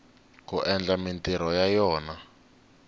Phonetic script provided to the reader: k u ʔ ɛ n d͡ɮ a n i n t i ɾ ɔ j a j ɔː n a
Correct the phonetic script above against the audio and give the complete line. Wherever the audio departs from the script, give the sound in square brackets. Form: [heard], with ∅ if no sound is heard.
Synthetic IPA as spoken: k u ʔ ɛ n d͡ɮ a [m] i n t i ɾ ɔ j a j ɔː n a